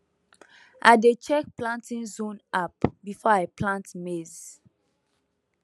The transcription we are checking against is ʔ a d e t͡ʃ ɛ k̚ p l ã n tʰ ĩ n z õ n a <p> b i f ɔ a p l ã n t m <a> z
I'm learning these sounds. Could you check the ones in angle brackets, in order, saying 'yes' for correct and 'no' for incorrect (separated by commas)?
yes, no